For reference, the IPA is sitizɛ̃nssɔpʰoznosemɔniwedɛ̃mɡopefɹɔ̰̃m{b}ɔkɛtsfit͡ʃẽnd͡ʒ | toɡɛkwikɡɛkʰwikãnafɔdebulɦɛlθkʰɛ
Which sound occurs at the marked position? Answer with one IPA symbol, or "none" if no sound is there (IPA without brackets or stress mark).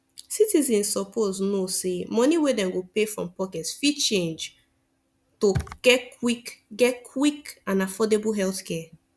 p